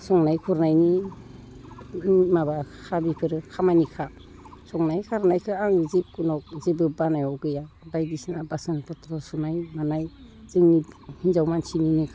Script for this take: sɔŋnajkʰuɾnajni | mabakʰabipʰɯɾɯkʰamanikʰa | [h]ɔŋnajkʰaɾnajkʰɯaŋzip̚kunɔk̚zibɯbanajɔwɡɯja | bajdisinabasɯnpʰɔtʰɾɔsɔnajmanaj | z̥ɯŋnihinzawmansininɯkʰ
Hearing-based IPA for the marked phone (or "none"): s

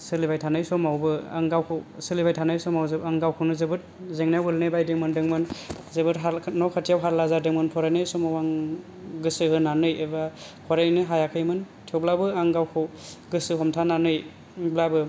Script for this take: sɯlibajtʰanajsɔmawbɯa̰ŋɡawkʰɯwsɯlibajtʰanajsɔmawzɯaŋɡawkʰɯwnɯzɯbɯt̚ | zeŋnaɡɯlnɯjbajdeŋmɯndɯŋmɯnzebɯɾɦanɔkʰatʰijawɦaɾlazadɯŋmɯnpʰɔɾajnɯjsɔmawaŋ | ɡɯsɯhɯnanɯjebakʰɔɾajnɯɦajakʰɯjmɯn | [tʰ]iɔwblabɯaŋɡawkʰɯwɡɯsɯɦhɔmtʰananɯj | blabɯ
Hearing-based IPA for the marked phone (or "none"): tʰ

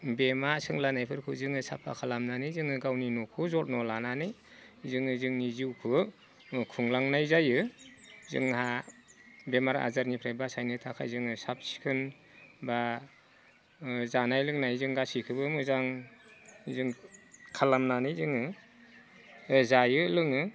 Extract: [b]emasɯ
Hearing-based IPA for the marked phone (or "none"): b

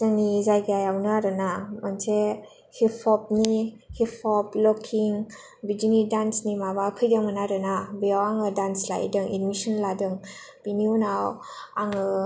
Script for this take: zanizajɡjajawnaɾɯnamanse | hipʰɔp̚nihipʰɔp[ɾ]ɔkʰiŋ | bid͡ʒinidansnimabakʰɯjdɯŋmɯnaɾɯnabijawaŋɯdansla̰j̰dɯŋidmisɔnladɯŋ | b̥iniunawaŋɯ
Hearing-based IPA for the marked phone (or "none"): l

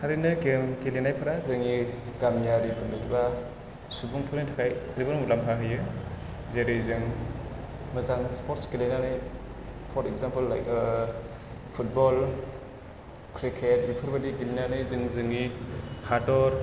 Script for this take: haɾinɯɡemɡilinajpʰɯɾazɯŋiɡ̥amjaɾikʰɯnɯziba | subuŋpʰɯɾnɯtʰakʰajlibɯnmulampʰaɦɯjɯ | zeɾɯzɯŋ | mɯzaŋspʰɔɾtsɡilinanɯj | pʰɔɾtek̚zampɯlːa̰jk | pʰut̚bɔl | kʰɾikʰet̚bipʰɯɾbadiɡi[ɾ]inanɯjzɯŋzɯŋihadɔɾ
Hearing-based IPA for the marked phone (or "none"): l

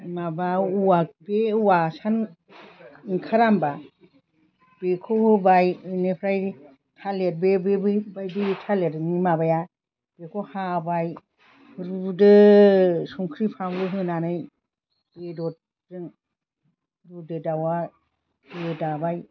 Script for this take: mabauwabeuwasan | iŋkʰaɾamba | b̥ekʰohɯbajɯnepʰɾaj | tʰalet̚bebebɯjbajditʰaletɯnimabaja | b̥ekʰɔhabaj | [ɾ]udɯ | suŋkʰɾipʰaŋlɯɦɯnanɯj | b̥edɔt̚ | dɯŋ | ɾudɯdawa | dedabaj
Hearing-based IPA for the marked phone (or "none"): ɾ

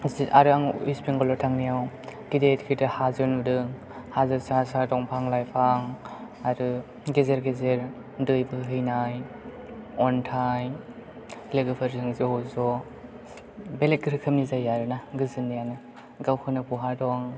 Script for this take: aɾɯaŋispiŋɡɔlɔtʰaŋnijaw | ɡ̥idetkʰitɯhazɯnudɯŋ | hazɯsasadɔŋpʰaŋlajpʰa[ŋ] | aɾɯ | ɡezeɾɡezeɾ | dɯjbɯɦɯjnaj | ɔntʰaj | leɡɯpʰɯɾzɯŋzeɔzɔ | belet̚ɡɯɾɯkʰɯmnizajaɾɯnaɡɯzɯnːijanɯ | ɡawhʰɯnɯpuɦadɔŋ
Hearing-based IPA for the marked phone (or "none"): ŋ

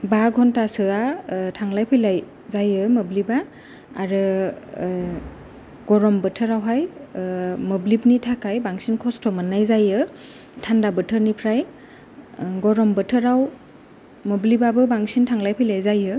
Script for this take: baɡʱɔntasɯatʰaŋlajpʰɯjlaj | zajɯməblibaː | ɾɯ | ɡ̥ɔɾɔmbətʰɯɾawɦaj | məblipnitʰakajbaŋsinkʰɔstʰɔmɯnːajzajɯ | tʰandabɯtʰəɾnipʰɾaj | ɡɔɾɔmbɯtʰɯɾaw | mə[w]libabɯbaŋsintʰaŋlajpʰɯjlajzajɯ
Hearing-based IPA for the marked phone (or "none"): b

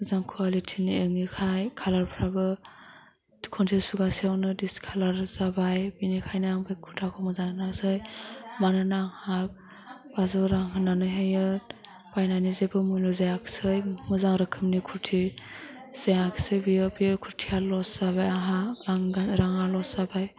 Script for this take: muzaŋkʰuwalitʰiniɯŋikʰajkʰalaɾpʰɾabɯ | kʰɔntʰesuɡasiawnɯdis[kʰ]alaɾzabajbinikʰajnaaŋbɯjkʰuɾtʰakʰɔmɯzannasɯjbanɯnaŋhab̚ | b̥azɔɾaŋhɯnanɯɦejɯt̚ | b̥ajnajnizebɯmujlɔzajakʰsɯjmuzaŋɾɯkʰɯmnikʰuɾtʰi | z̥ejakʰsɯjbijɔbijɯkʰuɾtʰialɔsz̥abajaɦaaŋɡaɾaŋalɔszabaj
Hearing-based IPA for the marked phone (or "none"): kʰ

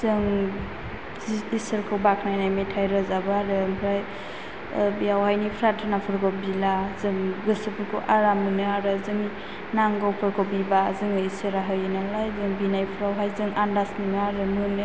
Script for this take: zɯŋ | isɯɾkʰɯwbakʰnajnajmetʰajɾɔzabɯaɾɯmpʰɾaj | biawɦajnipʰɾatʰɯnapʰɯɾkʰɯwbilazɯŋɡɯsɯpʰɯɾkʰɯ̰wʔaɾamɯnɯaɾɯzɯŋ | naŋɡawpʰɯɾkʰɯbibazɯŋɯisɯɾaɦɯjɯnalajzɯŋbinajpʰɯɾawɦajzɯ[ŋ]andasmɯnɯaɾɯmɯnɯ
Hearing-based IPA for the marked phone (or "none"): ŋ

